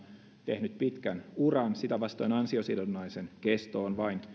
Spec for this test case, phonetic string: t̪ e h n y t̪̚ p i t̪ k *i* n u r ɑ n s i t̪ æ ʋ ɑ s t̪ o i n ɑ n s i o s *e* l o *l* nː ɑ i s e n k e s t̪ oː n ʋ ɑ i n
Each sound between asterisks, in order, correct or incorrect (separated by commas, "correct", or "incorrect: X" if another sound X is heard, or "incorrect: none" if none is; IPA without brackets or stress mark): incorrect: æ, incorrect: i, incorrect: none